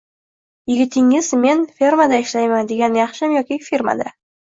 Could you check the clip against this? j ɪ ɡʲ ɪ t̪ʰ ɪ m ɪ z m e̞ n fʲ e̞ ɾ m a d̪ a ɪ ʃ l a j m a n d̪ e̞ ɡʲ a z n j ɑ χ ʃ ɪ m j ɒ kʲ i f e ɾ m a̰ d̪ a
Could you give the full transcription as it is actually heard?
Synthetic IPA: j ɪ ɡʲ ɪ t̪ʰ ɪ ŋ ɪ z m e̞ n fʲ e̞ ɾ m a d̪ a ɪ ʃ l a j m a n d̪ e̞ ɡʲ a n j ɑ χ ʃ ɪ m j ɒ kʲ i f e ɾ m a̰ d̪ a

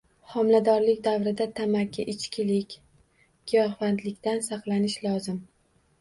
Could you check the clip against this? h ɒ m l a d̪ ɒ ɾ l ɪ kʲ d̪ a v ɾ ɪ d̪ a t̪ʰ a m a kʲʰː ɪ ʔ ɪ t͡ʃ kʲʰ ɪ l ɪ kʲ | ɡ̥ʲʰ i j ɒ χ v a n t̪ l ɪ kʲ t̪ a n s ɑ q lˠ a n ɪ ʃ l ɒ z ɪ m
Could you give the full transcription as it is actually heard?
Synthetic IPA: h ɒ m l a d̪ ɒ ɾ l ɪ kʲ d̪ a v ɾ ɪ d̪ a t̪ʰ a m a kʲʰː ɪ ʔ ɪ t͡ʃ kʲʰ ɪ l ɪ kʲ | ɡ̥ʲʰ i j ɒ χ v a n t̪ l ɪ kʲ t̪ a n s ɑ q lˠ a n ɪ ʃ l ɒ z ɪ m

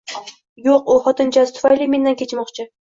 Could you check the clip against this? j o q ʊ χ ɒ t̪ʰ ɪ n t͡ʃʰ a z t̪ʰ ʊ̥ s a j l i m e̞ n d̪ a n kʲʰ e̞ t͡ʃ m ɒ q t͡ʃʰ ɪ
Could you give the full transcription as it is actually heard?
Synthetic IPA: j o q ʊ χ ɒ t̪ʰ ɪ n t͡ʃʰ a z t̪ʰ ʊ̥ f a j l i m e̞ n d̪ a n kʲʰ e̞ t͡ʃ m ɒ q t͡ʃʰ ɪ

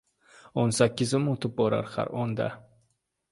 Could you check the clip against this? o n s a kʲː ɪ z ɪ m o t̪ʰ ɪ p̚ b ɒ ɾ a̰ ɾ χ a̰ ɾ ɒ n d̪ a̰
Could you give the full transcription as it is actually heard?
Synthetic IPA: o n s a kʲː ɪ z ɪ m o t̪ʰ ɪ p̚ b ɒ ɾ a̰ ɾ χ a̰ ɾ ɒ n d̪ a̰

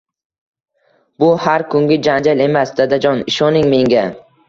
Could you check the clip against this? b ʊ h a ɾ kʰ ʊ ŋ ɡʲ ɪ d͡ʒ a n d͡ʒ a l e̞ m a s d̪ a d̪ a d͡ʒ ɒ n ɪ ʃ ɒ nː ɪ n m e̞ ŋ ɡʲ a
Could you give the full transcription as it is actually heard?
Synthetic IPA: b ʊ h a ɾ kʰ ʊ ŋ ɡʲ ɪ d͡ʒ a n d͡ʒ a l e̞ m a s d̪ a d̪ a d͡ʒ ɒ n ɪ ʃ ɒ n ɪ ŋ m e̞ ŋ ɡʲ a

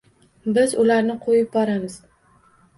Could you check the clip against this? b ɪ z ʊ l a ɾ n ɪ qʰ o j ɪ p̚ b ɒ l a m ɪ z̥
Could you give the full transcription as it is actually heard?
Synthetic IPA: b ɪ z ʊ l a ɾ n ɪ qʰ o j ɪ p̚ b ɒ ɾ a m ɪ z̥

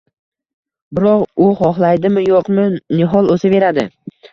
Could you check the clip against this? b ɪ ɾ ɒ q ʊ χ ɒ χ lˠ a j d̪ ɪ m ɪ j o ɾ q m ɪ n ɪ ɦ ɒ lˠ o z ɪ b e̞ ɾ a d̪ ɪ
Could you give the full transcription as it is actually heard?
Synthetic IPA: b ɪ ɾ ɒ q ʊ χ ɒ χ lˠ a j d̪ ɪ m ɪ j o q m ɪ n ɪ ɦ ɒ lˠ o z ɪ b e̞ ɾ a d̪ ɪ

